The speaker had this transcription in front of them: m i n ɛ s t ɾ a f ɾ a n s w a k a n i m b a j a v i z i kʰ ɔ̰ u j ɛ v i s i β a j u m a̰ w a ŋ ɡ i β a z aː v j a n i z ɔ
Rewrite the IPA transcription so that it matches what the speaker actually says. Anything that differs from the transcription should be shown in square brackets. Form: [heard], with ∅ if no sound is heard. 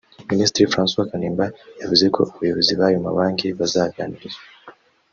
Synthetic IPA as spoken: m i n [i] s t ɾ [i] f ɾ a n s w a k a n i m b a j a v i z i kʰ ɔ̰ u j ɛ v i [z] i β a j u m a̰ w a ŋ ɡ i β a z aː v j a n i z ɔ